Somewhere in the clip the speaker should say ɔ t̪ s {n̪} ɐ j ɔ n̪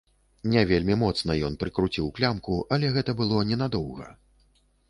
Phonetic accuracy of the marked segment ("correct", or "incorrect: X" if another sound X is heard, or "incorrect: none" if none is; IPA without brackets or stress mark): correct